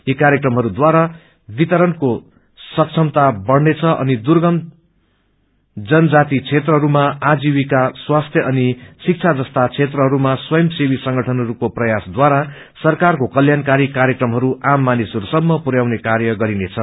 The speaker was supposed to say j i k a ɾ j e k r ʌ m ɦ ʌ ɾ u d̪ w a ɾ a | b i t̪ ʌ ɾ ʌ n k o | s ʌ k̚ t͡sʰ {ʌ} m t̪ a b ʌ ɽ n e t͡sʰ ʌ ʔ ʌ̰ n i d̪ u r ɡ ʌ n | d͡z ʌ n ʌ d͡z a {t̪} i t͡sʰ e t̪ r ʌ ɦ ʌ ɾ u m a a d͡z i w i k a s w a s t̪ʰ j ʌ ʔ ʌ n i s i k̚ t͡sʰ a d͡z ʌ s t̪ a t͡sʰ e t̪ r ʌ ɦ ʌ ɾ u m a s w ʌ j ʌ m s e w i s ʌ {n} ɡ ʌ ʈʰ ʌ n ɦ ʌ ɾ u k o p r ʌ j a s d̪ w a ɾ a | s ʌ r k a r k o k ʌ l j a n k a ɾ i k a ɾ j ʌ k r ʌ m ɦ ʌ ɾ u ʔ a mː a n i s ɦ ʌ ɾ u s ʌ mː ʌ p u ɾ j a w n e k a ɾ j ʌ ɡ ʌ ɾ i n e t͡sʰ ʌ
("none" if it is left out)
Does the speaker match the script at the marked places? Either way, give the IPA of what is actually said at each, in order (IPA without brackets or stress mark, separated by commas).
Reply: ʌ, t̪, ŋ